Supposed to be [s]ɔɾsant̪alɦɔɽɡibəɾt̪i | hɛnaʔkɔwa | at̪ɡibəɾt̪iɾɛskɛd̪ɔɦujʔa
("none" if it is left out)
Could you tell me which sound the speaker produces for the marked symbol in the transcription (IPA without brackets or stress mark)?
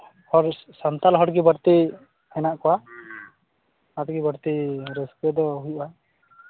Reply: h